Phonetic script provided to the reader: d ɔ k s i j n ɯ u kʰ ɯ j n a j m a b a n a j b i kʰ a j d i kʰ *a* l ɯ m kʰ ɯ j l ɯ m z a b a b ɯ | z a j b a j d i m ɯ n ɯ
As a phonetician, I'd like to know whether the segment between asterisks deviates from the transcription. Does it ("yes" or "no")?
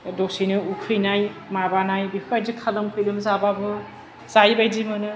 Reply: no